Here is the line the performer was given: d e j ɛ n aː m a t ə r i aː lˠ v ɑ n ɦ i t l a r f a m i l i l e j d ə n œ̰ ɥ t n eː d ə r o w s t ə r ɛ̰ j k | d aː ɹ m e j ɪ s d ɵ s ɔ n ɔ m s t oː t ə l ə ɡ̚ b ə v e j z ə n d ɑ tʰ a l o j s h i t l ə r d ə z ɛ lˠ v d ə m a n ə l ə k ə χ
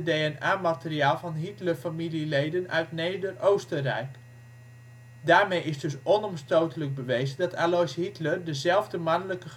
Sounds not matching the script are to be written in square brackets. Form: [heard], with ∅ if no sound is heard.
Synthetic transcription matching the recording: d e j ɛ n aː m a t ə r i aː lˠ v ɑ n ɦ i t l [ə] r f a m i l i l e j d ə n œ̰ ɥ t n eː d ə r o w s t ə r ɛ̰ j k | d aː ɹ m e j ɪ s d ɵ s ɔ n ɔ m s t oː t ə l ə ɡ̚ b ə [ʋ] e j z ə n d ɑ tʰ a l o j s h i t l ə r d ə z ɛ lˠ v d ə m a n ə l ə k ə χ